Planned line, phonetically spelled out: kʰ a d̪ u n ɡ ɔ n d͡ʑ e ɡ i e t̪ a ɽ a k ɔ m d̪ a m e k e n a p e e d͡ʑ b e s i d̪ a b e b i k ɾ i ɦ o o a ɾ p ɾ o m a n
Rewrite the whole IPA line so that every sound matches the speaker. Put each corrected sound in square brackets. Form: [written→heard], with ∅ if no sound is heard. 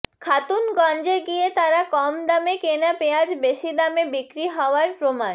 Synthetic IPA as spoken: kʰ a [d̪→t̪] u n ɡ ɔ n d͡ʑ e ɡ i e t̪ a [ɽ→ɾ] a k ɔ m d̪ a m e k e n a p e [e→a] d͡ʑ b e [s→ʃ] i d̪ a [b→m] e b i k ɾ i ɦ [o→ɔ] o a ɾ p ɾ o m a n